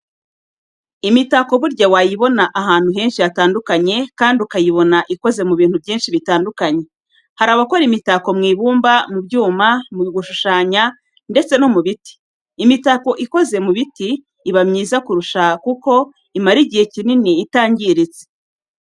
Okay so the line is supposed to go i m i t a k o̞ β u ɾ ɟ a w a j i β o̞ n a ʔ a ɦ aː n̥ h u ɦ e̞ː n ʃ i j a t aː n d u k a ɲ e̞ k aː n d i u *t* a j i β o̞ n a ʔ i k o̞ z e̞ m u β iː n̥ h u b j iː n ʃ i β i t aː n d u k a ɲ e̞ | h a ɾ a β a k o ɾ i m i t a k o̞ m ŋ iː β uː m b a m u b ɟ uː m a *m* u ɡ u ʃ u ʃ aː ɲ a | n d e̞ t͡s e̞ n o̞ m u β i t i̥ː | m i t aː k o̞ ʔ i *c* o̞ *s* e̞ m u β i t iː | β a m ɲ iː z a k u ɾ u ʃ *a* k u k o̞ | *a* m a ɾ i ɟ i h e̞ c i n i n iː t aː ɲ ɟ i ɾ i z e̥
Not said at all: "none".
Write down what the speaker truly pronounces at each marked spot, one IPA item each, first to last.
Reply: k, m, k, z, a, i

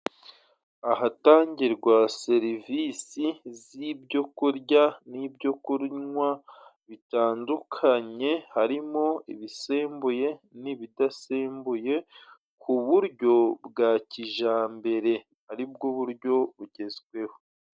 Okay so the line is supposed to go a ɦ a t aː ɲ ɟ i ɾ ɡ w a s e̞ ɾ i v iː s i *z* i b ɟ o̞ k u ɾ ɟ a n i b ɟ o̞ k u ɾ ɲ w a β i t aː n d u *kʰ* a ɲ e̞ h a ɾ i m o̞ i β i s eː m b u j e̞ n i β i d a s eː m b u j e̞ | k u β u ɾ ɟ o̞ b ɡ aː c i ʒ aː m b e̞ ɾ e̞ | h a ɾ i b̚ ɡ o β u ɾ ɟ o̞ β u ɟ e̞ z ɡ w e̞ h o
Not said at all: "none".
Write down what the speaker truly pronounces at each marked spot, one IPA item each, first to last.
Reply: z, kʰ

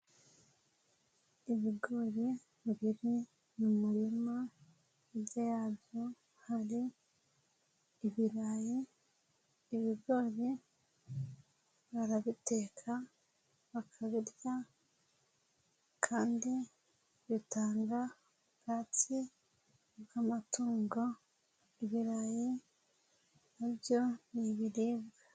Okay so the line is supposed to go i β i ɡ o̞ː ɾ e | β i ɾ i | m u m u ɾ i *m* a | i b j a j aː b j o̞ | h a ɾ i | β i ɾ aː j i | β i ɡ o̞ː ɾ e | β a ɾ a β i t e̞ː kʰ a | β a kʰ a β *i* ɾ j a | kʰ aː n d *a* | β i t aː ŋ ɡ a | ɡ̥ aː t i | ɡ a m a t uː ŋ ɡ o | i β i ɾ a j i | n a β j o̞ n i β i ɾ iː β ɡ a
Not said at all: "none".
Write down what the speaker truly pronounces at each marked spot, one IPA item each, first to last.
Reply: m, i, i

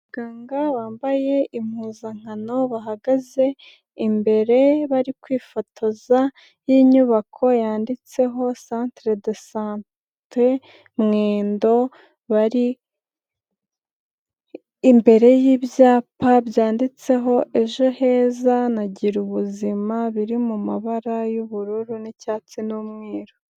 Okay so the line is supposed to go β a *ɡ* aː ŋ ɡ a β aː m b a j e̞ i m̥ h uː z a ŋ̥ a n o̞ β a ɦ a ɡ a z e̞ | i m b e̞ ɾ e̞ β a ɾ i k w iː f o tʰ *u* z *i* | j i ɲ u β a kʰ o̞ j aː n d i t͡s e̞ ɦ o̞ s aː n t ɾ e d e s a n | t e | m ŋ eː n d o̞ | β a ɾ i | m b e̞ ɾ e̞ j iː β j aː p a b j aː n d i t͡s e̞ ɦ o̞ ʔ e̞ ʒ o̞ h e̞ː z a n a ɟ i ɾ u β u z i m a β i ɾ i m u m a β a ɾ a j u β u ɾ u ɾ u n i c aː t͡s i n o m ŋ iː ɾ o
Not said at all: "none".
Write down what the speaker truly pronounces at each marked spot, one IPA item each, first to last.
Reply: ɡ, o, a

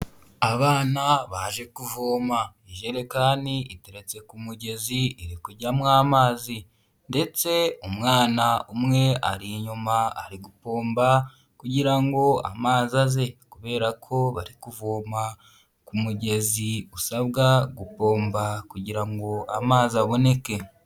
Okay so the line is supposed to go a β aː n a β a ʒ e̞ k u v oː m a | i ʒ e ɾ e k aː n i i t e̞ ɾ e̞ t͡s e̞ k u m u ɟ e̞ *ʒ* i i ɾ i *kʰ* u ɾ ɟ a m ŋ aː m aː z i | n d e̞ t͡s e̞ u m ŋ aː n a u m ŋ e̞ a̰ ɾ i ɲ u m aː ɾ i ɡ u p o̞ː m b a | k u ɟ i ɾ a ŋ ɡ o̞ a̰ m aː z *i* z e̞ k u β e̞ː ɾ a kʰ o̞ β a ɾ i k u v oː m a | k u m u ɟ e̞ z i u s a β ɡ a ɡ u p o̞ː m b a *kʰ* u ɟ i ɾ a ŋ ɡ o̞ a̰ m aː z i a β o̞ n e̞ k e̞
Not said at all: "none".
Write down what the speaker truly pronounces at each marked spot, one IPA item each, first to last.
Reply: z, k, a, k

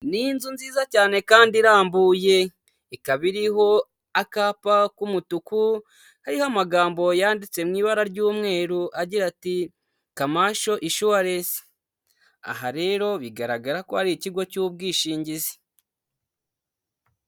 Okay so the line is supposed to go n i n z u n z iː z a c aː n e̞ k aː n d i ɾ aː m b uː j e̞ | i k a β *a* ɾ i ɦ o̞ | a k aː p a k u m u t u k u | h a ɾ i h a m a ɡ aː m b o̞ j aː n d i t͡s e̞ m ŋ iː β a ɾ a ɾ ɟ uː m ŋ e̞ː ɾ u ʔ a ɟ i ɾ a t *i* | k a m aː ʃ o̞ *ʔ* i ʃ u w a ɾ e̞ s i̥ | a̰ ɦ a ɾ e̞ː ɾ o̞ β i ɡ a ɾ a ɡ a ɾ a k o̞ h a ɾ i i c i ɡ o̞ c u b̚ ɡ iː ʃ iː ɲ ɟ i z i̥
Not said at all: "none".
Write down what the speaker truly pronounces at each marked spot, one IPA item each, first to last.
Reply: i, i, ʔ

